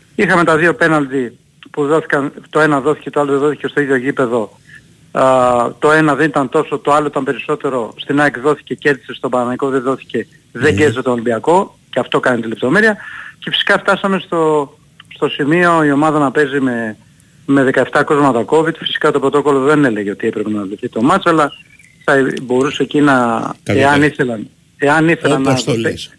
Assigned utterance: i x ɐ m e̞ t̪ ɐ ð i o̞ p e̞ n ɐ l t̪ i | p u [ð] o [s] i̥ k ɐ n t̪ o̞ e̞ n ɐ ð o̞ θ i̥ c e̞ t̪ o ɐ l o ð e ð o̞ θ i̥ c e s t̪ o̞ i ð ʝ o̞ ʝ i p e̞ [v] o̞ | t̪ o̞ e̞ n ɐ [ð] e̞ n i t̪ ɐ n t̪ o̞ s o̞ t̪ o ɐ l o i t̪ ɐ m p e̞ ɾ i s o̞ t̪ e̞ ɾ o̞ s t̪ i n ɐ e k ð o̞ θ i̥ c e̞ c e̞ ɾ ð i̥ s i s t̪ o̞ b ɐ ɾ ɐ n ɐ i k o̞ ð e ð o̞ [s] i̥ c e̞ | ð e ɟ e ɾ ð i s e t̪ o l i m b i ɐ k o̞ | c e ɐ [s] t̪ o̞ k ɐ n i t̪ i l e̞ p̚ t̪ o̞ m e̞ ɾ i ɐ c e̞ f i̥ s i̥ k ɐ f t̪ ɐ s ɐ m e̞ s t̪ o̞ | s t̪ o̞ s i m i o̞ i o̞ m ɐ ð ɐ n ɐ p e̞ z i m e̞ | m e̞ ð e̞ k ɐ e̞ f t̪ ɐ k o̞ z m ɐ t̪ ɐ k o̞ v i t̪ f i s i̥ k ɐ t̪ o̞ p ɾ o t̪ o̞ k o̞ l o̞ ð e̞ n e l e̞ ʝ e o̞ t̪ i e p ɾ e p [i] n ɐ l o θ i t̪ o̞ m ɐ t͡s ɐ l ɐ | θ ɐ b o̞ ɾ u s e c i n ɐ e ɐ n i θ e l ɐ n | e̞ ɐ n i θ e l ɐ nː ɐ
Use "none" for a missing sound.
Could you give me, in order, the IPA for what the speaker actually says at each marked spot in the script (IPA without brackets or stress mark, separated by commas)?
ð, θ, ð, ð, θ, f, e